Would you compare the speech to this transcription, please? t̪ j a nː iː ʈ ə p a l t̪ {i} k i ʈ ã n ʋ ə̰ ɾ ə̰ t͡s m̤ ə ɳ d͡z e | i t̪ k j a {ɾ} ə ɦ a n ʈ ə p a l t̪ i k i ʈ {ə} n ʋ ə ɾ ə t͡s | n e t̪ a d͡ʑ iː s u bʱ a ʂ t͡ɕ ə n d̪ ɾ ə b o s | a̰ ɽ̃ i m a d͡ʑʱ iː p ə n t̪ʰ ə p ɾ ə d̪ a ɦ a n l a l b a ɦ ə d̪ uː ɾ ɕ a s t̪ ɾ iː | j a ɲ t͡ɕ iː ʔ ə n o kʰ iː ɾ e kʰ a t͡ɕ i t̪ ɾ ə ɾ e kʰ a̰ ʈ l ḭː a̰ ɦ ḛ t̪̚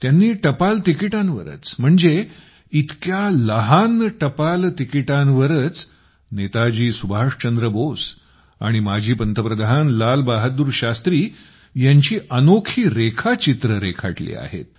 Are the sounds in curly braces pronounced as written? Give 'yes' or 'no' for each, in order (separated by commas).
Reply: yes, no, no